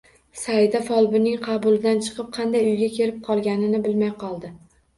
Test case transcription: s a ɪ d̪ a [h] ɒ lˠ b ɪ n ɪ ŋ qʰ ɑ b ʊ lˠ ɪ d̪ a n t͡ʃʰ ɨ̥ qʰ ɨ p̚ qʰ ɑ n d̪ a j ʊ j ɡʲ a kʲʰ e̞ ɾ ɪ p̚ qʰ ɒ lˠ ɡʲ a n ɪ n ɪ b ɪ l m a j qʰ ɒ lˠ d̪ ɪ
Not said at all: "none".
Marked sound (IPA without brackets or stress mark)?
f